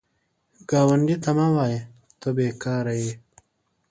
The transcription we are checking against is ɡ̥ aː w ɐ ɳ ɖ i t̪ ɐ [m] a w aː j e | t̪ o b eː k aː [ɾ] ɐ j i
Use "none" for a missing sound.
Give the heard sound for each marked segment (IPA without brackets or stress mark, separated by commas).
m, ɾ